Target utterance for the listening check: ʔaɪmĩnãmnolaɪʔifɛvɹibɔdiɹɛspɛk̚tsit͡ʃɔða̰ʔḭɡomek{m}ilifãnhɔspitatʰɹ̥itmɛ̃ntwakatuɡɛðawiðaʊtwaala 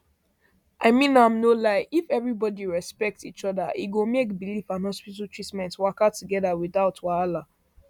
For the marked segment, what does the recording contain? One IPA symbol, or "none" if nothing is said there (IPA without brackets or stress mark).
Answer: b